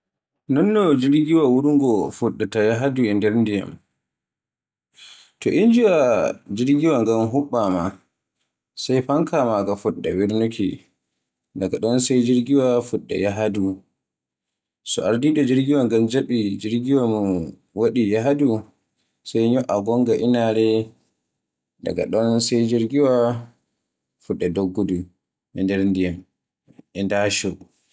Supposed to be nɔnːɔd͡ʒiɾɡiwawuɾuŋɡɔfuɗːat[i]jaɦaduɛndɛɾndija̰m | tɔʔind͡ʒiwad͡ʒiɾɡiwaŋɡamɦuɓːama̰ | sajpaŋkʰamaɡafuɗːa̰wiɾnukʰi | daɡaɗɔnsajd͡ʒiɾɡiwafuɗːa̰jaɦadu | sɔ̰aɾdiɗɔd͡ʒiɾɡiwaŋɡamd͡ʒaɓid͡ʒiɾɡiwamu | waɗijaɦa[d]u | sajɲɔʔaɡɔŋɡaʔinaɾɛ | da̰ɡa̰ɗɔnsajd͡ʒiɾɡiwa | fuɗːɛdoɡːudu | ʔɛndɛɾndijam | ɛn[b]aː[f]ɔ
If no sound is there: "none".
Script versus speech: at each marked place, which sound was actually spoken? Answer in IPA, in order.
a, d, d, ʃ

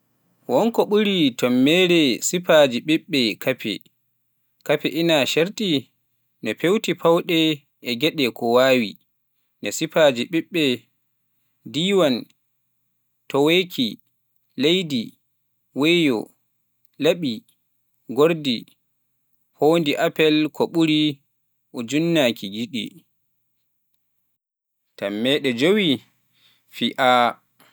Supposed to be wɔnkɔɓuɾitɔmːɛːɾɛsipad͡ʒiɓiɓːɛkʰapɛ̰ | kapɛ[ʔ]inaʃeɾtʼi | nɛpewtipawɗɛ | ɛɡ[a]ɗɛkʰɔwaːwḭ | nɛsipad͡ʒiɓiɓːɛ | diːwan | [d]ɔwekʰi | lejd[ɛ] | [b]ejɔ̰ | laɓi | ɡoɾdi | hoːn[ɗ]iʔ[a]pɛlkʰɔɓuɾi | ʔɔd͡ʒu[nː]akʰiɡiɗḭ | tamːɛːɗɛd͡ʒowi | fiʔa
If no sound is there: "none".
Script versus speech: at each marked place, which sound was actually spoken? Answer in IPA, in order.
ʔ, ɛ, t, i, w, d, a, nː

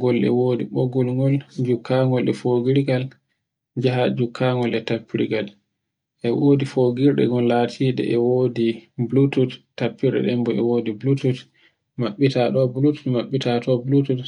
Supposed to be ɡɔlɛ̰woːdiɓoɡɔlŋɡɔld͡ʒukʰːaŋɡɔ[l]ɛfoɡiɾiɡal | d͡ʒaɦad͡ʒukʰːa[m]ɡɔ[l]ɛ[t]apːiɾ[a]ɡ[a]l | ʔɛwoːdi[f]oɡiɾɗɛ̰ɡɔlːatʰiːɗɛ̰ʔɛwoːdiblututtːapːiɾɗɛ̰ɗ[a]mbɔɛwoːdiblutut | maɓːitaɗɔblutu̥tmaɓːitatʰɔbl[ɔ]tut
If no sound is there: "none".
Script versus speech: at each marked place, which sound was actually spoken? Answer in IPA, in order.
l, ŋ, l, t, i, a, f, ɛ, u

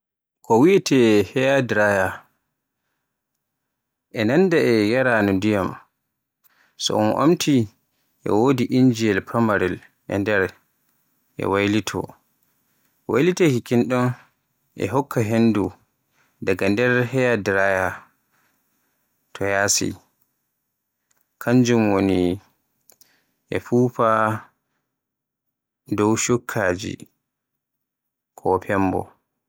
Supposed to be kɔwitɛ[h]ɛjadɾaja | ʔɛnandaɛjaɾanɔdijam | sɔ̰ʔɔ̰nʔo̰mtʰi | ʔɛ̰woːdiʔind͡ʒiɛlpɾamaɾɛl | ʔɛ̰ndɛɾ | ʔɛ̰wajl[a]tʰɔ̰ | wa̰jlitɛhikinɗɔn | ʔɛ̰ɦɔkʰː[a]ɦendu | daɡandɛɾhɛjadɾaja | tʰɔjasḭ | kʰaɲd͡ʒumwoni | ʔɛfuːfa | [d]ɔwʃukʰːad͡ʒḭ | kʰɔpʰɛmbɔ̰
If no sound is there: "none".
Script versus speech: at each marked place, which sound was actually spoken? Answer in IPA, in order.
h, i, a, d

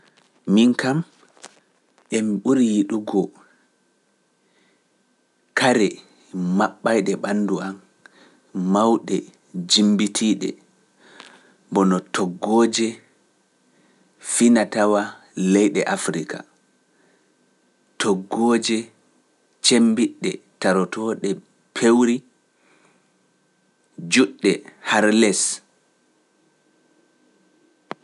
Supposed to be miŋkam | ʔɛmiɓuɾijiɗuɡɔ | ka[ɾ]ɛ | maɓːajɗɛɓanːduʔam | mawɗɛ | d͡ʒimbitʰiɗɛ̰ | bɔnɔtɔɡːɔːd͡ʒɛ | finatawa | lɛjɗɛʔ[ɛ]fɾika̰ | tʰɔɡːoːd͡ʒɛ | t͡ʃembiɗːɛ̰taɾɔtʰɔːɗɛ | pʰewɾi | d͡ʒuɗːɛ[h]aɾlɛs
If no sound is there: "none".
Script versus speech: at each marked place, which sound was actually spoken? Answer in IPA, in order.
ɾ, a, h

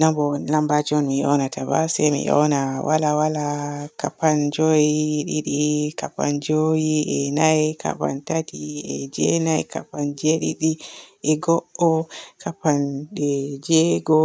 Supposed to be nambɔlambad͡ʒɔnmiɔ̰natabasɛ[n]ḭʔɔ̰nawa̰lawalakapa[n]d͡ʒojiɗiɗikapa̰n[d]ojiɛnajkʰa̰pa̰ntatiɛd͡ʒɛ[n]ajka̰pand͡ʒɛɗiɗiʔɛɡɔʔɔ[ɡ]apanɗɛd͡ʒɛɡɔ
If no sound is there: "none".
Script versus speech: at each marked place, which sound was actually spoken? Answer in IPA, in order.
m, n, d͡ʒ, n, k

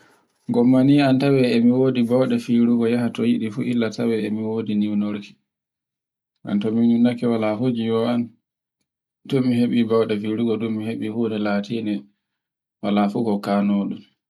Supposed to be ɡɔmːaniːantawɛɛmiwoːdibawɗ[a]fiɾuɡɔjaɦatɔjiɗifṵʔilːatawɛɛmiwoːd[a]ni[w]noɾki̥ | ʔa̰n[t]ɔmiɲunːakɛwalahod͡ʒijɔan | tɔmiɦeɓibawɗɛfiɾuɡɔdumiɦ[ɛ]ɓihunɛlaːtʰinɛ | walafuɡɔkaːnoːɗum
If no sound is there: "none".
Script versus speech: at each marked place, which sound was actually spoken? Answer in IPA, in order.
ɛ, i, w, t, e

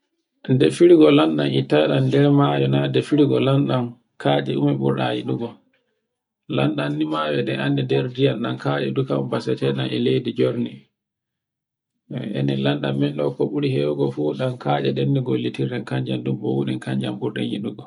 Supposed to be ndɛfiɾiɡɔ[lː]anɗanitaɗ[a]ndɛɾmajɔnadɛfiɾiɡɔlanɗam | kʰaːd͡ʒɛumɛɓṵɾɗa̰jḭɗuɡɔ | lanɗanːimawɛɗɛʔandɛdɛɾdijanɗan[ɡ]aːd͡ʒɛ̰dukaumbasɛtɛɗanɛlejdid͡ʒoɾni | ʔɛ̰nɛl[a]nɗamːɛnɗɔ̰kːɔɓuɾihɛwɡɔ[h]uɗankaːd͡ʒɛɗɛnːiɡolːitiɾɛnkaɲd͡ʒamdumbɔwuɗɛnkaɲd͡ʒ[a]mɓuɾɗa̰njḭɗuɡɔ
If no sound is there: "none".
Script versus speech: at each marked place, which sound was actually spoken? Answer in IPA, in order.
l, a, k, a, f, a

